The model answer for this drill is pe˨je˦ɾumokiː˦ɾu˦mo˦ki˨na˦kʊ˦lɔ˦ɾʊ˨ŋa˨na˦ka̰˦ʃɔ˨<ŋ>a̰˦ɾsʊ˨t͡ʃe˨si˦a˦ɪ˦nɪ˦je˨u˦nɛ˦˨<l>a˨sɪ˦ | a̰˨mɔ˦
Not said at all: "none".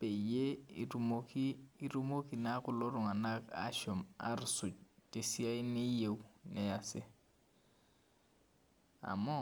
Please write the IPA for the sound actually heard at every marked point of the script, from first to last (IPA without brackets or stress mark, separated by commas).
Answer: m, none